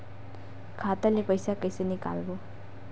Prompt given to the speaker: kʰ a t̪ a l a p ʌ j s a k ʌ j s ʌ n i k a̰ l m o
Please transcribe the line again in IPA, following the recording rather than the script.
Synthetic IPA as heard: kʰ a t̪ a l e p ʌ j s a k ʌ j s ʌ n i k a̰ l b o